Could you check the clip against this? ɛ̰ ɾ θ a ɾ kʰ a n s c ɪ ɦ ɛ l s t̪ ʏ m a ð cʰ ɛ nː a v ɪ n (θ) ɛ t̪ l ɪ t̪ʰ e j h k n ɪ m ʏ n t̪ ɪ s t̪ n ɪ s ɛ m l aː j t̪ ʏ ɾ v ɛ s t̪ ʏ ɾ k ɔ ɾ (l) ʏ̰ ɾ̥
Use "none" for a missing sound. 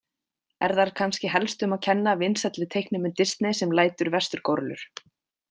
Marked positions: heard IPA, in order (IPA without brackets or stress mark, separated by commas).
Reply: s, l